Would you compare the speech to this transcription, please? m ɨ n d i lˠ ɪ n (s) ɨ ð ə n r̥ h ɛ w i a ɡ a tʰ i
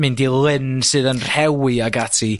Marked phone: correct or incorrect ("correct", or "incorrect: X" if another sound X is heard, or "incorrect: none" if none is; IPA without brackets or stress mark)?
correct